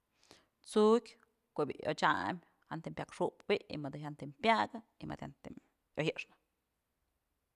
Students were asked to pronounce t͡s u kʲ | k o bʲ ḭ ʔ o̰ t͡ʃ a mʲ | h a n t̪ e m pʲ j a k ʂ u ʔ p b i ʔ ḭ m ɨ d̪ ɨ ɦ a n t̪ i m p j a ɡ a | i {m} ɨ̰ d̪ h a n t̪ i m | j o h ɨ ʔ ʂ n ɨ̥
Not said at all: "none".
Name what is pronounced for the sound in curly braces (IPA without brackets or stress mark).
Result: m